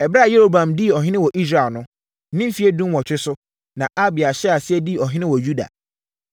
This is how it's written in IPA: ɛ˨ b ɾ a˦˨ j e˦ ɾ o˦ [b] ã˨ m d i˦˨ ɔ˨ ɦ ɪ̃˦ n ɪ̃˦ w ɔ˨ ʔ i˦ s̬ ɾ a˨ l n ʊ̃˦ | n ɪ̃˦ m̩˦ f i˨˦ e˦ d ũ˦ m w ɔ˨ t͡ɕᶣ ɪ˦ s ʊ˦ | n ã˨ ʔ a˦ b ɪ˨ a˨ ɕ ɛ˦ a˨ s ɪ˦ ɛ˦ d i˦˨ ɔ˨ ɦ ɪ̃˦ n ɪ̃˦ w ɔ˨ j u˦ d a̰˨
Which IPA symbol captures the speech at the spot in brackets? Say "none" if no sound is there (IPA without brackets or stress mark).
b